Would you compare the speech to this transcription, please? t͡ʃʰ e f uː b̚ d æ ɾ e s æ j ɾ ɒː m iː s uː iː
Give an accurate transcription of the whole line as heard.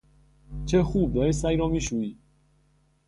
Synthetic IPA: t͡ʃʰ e x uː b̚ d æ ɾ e s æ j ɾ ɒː m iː ʃ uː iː